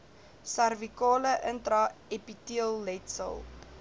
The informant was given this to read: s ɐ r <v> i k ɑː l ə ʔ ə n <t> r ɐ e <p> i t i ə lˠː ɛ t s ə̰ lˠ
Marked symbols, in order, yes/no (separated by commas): yes, yes, yes